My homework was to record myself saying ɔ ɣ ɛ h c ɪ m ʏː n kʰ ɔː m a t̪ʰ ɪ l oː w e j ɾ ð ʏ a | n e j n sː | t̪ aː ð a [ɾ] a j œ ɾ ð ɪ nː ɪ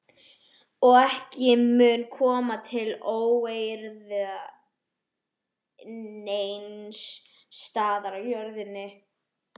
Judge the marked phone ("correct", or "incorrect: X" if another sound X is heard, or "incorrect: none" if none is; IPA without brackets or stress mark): correct